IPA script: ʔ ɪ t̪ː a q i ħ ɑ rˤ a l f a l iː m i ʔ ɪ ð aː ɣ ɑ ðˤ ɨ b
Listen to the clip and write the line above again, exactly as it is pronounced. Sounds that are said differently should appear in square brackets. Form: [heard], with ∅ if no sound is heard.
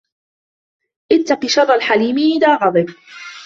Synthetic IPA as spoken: ʔ ɪ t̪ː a q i [ʃ] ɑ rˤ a l [ħ] a l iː m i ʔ ɪ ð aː ɣ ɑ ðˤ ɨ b